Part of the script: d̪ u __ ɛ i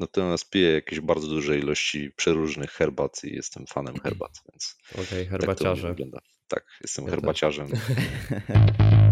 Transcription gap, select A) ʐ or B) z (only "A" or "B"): A